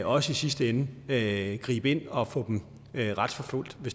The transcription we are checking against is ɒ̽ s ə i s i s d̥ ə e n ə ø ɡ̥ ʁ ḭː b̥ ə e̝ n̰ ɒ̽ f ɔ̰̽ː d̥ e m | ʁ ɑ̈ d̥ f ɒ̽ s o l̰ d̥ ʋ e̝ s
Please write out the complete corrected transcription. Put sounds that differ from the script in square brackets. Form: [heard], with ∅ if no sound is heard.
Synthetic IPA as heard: ɒ̽ s ə i s i s d̥ ə e n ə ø ɡ̥ ʁ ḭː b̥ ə e̝ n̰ ɒ̽ f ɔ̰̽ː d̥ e m | ʁ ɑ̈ d̥ f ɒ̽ [f] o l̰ d̥ ʋ e̝ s